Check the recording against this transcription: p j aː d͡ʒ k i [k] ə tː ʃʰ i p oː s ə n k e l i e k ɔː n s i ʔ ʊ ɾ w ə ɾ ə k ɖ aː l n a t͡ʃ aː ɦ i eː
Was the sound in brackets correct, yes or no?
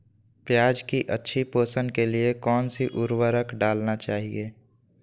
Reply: no